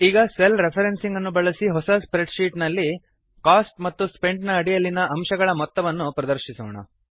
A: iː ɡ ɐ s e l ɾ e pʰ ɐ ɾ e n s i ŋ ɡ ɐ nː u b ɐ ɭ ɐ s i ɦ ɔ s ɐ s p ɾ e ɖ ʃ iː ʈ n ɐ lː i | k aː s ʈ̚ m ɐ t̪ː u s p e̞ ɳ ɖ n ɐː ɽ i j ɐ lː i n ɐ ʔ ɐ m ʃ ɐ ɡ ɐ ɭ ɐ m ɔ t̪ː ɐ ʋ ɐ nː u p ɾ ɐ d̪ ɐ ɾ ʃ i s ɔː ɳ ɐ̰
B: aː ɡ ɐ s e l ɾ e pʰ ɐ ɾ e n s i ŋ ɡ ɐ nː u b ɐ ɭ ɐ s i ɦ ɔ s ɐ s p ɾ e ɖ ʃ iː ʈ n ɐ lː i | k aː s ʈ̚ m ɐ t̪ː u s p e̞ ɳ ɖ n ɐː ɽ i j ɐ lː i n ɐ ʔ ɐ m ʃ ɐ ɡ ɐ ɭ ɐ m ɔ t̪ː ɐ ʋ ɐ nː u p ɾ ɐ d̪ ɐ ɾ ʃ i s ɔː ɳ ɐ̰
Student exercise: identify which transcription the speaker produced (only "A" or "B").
A